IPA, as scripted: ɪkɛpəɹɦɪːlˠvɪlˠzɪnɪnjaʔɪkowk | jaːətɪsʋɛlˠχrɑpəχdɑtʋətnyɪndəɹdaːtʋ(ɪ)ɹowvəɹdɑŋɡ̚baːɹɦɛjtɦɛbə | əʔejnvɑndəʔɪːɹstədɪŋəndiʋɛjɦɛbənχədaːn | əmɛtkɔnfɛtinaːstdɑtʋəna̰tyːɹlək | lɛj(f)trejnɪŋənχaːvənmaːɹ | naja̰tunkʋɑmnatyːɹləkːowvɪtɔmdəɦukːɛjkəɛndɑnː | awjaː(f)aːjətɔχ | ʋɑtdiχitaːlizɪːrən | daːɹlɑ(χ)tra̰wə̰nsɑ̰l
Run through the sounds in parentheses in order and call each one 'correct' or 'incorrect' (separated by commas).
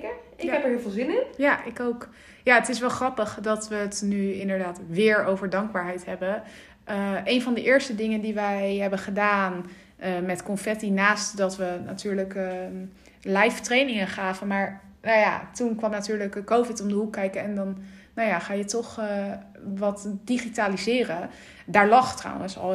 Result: incorrect, correct, incorrect, correct